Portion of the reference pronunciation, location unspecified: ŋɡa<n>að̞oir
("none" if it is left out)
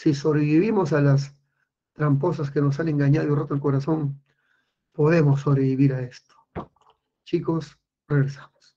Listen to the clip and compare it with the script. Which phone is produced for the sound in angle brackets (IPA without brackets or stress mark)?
ɲ